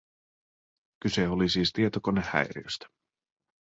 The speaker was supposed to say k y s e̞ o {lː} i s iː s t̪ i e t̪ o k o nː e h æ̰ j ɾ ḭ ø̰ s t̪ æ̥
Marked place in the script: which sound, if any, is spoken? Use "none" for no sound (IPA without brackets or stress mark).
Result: l